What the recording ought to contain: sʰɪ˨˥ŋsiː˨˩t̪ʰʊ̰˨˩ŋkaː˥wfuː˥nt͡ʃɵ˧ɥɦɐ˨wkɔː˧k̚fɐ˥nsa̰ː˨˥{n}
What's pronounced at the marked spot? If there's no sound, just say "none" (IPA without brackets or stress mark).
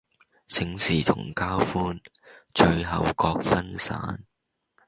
n